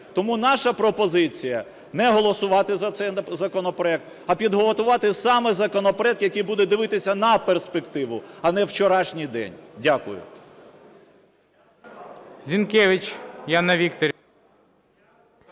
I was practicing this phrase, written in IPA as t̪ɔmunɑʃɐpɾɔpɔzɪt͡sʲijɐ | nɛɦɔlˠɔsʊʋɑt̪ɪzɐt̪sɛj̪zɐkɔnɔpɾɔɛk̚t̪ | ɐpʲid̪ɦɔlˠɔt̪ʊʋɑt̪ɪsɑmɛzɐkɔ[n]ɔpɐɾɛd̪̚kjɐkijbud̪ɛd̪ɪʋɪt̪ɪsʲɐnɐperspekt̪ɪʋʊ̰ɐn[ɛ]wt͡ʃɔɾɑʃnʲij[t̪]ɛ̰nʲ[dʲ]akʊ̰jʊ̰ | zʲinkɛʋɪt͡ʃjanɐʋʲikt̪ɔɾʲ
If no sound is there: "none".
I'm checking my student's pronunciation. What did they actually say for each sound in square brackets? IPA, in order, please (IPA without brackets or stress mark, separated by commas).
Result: n, ɛ, d̪, dʲ